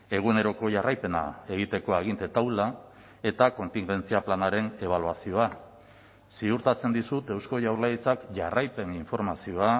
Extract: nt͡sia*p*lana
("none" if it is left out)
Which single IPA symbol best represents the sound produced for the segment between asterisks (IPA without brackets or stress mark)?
p